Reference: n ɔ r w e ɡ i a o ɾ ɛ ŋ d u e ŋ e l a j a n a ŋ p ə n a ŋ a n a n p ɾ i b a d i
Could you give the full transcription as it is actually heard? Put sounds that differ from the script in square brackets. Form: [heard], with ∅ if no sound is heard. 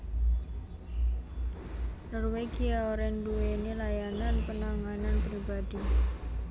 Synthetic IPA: n ɔ r w e ɡ i a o ɾ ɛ [n] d u e [n] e l a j a n a [n] p ə n a ŋ a n a n p ɾ i b a d i